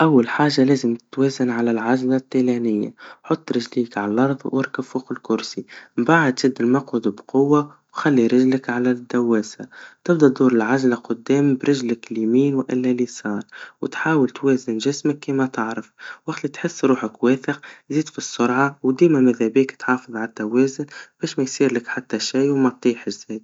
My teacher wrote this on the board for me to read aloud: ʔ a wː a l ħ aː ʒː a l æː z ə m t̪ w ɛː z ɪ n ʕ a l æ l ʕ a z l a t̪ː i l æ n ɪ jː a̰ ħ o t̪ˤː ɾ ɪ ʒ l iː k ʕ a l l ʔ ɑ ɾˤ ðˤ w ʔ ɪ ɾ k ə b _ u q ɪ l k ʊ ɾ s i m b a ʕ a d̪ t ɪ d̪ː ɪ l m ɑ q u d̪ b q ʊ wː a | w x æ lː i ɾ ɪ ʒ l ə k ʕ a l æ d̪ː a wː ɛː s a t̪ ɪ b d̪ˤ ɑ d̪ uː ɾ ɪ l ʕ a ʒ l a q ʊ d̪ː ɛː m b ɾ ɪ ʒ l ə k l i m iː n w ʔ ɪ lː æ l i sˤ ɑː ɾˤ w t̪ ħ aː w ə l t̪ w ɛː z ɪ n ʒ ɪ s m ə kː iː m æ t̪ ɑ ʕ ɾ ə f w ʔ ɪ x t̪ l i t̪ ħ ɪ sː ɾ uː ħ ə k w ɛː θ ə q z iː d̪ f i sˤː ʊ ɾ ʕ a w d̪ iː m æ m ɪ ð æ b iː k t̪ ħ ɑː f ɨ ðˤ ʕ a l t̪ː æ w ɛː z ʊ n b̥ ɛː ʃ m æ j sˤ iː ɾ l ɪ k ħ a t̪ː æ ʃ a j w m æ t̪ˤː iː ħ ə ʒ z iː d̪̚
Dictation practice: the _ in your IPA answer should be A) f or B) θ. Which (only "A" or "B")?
A